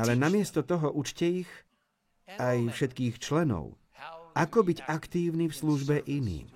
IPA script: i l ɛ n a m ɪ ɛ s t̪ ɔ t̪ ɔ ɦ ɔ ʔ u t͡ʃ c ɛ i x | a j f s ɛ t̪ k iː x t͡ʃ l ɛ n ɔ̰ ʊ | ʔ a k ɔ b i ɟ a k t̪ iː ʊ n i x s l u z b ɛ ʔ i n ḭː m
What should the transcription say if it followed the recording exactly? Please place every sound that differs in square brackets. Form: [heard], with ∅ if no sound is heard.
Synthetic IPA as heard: [a] l ɛ n a m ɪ ɛ s t̪ ɔ t̪ ɔ ɦ ɔ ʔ u t͡ʃ c ɛ i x | a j f [ʃ] ɛ t̪ k iː x t͡ʃ l ɛ n ɔ̰ ʊ | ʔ a k ɔ b i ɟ a k t̪ iː ʊ n i [f] s l u [ʒ] b ɛ ʔ i n ḭː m